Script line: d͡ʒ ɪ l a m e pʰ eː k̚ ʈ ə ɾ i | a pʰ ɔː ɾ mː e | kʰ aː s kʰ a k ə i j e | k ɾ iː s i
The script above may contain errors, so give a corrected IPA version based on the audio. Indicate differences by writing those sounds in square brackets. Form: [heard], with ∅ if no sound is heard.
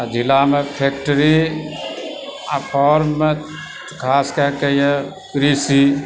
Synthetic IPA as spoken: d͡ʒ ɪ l a m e pʰ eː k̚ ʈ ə ɾ i | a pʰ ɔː ɾ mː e | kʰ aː s [k] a k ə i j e | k ɾ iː s i